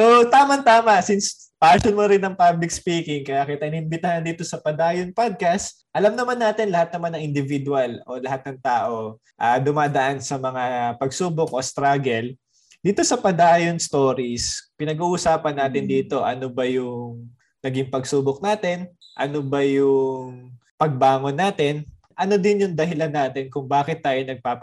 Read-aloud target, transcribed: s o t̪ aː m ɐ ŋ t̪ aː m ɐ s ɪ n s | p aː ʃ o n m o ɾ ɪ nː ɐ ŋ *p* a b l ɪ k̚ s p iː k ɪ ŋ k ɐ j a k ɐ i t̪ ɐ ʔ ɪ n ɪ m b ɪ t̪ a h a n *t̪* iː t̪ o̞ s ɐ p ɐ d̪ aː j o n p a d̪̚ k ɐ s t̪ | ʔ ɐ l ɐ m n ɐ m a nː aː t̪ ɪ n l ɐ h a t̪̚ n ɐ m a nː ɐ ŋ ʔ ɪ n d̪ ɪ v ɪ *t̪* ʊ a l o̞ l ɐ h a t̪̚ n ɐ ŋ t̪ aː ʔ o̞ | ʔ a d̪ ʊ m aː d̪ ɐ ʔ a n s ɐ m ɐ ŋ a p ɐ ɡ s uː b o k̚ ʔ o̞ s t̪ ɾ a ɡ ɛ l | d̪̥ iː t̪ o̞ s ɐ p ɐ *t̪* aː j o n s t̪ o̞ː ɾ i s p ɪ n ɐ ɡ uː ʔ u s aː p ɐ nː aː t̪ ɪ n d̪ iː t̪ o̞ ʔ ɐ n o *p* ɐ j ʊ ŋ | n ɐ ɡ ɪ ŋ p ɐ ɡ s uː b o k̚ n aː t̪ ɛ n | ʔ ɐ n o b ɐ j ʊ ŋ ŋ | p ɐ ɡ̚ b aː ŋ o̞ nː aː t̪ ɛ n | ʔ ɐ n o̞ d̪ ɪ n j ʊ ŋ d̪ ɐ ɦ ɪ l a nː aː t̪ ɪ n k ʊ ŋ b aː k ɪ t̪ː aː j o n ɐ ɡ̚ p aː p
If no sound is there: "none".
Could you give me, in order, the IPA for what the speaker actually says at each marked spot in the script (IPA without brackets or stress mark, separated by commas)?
p, d̪, d̪, d̪, b